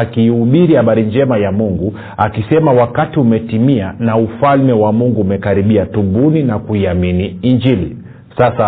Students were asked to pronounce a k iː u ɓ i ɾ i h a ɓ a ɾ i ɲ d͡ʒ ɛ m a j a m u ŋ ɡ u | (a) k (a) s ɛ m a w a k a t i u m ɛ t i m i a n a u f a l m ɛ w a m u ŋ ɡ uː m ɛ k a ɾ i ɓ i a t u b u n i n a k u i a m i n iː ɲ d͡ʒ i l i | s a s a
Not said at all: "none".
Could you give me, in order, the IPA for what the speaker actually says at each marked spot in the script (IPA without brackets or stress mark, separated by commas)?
a, i